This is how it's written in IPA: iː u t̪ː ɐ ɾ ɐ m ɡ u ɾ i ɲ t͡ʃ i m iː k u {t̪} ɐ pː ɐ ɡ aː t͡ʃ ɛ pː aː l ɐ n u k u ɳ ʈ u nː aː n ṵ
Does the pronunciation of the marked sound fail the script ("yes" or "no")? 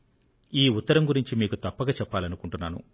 no